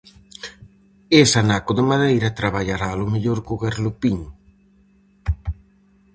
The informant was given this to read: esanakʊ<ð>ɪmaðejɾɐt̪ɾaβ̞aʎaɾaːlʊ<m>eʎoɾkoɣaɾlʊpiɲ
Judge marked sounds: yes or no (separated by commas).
yes, yes